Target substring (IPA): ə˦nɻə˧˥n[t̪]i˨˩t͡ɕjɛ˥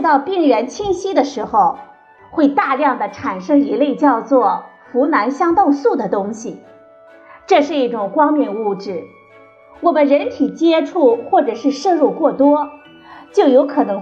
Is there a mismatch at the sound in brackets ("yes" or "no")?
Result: yes